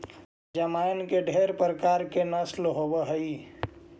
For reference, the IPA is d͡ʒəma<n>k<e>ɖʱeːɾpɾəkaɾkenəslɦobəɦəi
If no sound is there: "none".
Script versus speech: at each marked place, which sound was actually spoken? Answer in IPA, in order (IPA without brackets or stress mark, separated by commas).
n, e